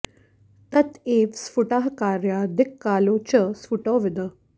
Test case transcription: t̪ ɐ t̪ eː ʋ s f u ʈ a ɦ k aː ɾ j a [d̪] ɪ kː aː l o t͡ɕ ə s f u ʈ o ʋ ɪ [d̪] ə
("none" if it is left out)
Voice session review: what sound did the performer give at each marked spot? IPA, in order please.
d̪, d̪

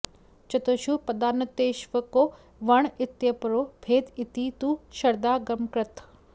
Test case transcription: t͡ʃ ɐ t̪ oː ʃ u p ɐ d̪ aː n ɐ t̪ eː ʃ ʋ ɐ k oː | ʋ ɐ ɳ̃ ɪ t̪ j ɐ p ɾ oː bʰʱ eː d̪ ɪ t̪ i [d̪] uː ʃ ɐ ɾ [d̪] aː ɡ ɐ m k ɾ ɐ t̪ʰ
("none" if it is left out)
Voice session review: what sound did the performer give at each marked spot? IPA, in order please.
t̪, d̪

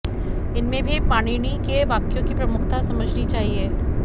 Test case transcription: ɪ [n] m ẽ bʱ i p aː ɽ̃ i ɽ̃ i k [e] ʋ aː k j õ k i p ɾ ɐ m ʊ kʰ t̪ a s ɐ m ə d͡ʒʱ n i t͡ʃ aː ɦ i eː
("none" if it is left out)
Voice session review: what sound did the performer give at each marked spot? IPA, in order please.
n, e

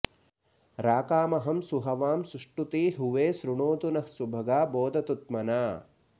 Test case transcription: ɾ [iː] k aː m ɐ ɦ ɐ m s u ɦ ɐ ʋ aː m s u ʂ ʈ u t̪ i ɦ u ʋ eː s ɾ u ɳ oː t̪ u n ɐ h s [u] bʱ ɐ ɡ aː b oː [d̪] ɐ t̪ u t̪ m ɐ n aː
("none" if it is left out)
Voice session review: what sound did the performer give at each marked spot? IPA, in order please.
aː, u, d̪

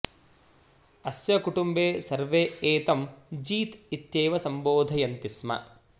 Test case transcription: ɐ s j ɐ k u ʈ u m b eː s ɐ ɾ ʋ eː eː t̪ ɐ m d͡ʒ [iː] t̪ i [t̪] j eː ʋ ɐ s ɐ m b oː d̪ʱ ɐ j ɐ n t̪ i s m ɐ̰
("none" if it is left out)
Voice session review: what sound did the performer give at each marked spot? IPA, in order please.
iː, t̪

